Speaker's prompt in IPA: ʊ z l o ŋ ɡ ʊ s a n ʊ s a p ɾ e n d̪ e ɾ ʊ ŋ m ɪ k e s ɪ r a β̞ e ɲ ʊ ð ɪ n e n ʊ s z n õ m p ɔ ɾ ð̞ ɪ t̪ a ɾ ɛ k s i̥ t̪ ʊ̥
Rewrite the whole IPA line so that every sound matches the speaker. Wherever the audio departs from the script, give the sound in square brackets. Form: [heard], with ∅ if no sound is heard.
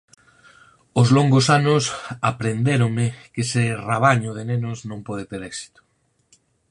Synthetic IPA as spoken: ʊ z l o ŋ ɡ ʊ s a n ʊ s a p ɾ e n d̪ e ɾ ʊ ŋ m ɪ k e s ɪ r a β̞ [a] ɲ ʊ ð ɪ n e n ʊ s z n õ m p ɔ [∅] ð̞ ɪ t̪ [e] ɾ ɛ k s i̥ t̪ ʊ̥